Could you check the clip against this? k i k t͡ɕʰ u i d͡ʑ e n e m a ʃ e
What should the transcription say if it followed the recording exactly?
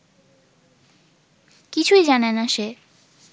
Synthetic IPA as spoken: k i t͡ɕʰ u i d͡ʑ a n e n a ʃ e